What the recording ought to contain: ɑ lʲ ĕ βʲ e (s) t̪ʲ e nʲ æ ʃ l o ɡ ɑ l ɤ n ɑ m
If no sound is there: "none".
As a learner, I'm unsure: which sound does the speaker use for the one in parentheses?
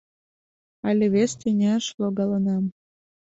s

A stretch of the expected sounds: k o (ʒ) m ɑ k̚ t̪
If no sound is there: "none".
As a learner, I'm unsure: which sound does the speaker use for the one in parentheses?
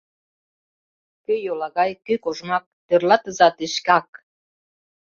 ʒ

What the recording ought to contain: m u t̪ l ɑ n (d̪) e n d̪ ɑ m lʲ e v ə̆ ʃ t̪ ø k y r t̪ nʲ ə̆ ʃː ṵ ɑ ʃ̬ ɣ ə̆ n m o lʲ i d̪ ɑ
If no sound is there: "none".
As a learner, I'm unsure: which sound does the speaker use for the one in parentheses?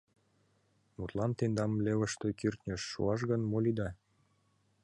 t̪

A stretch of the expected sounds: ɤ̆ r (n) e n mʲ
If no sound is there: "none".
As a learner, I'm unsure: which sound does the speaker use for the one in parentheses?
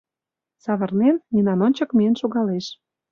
n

